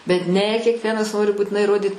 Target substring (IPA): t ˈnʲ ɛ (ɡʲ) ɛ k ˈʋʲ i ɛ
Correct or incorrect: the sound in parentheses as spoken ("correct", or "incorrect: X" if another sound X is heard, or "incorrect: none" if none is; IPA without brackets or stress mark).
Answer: incorrect: kʲ